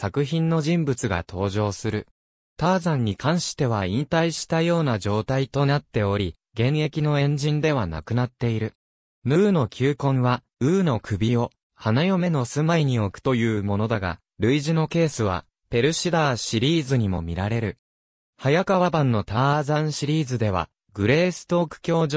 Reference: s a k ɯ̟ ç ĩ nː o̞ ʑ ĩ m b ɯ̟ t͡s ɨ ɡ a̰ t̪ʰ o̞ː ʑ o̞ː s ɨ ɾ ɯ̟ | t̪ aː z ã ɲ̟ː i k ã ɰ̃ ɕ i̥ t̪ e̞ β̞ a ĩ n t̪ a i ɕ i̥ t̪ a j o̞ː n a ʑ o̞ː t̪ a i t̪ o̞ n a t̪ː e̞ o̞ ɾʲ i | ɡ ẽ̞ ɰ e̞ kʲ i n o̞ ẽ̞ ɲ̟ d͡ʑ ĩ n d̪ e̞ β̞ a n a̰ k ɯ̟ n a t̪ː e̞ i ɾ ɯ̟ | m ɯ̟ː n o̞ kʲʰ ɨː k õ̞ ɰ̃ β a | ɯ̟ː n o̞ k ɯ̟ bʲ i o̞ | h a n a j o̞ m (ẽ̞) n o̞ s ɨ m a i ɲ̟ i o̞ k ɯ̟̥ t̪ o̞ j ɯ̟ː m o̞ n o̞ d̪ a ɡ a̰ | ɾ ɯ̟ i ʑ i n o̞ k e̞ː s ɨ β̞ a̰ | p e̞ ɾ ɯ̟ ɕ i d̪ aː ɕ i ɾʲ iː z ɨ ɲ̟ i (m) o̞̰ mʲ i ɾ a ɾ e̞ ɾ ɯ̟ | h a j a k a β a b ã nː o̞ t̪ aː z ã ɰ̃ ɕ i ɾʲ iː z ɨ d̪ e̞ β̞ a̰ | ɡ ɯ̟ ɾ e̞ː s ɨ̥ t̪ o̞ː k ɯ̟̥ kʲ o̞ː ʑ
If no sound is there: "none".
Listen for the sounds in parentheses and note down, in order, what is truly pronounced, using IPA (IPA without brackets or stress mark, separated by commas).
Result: e̞, m